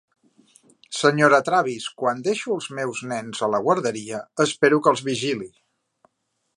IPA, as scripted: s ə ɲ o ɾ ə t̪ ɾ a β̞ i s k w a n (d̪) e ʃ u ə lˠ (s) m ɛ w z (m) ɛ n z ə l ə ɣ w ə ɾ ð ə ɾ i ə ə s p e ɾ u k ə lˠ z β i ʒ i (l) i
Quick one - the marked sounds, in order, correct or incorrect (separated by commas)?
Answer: correct, incorrect, incorrect, correct